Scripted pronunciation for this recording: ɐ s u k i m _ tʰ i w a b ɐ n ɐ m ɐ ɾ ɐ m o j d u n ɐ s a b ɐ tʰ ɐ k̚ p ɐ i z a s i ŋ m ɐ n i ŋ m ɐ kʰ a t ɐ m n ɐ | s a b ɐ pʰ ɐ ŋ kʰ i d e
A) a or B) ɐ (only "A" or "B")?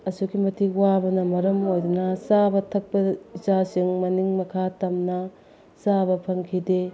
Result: B